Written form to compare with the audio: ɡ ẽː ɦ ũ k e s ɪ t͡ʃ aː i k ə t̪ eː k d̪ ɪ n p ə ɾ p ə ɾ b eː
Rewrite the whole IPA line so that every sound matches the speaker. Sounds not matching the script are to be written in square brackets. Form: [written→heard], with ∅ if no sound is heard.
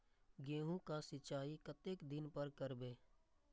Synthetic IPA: ɡ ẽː ɦ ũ k [e→a] s ɪ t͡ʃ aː i k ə t̪ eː k d̪ ɪ n p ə ɾ [p→k] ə ɾ b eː